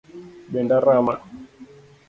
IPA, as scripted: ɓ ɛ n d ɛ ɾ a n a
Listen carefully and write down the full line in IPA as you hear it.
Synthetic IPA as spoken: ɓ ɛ n d a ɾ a m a

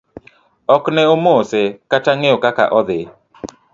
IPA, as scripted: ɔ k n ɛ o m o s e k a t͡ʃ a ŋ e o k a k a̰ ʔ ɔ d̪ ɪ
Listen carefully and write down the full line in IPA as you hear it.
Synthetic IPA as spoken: ɔ k n ɛ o m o s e k a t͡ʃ a ŋ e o k a k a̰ ʔ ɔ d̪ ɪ

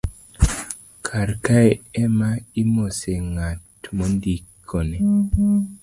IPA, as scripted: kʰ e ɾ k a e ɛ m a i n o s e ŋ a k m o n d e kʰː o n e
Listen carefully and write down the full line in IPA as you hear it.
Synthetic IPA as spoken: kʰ a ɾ k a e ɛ m a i m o s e ŋ a t m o n d i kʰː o n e

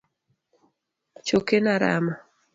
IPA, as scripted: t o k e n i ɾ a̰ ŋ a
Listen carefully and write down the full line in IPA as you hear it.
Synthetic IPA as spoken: t͡ʃ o k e n a ɾ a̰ m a

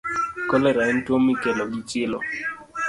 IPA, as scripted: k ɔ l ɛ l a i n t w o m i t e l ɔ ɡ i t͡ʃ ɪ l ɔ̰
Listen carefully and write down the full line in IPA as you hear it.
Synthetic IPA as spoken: k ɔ l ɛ ɾ a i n t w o m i k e l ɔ ɡ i t͡ʃ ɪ l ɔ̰

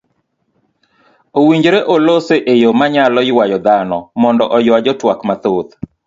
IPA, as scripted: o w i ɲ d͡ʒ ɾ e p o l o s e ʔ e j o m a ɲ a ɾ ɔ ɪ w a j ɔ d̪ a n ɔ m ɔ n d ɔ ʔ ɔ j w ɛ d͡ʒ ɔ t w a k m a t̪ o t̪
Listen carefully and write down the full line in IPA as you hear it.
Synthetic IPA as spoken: o w i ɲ d͡ʒ ɾ e ʔ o l o s e ʔ e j o m a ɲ a l ɔ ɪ w a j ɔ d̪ a n ɔ m ɔ n d ɔ ʔ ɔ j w a d͡ʒ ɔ t w a k m a t̪ o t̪

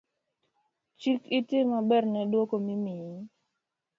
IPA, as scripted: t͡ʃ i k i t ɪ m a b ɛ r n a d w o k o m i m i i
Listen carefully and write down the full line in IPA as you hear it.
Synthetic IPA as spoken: t͡ʃ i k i t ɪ m a b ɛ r n ɛ d w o k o m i m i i

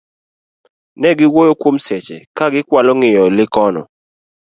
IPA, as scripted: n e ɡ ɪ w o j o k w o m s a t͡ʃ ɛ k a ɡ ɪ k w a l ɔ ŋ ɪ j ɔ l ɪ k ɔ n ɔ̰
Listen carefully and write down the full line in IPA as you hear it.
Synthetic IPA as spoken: n ɛ ɡ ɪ w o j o k w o m s ɛ t͡ʃ ɛ k a ɡ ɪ k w a l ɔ ŋ ɪ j ɔ l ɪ k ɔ n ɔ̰

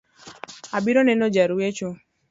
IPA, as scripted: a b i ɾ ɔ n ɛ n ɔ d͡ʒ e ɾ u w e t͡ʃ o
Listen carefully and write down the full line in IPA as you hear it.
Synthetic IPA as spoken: a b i ɾ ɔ n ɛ n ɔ d͡ʒ a ɾ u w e t͡ʃ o

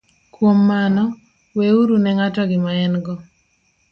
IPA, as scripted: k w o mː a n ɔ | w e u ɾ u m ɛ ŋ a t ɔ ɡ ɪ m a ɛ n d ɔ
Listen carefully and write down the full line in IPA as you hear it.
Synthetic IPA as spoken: k w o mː a n ɔ | w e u ɾ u n ɛ ŋ a t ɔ ɡ ɪ m a ɛ n ɡ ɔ

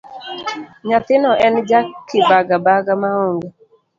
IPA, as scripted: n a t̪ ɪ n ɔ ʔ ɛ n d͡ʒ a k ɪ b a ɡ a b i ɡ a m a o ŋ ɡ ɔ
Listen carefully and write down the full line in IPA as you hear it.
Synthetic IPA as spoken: ɲ a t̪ ɪ n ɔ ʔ ɛ n d͡ʒ a k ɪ b a ɡ a b a ɡ a m a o ŋ ɡ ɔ

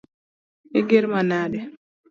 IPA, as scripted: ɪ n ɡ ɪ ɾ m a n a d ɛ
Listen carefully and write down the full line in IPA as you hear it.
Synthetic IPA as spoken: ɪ ɡ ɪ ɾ m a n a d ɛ

